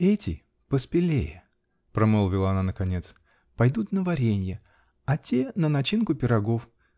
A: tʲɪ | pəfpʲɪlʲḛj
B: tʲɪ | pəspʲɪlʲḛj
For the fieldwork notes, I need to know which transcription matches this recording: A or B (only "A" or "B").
B